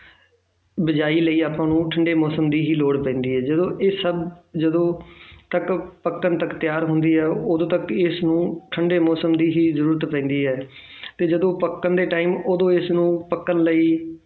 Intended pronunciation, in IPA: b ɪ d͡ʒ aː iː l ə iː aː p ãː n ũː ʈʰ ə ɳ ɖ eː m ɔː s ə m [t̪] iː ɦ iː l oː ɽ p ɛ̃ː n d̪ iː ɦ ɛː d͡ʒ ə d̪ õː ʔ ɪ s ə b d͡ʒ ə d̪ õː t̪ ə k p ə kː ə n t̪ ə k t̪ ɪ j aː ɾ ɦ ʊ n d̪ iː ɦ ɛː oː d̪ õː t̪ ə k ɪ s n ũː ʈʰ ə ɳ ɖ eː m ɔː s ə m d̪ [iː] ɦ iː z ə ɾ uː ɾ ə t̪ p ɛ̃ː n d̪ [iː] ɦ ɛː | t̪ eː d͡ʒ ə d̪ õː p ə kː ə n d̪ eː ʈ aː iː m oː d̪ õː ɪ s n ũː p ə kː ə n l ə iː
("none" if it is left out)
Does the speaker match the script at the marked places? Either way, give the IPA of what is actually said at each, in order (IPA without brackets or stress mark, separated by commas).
d̪, iː, iː